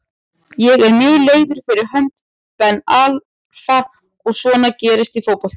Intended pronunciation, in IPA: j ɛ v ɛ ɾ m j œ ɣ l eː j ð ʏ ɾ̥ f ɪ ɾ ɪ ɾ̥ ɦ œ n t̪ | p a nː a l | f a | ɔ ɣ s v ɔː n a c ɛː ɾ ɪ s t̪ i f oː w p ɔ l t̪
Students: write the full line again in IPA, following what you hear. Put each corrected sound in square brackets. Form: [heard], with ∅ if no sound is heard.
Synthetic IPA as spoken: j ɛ [ɣ] ɛ ɾ m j [œː] ɣ l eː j ð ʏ ɾ̥ f ɪ ɾ ɪ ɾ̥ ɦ œ n t̪ | p [ɛ] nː a l | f a | ɔ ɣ s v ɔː n a c ɛː ɾ ɪ s t̪ i f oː w p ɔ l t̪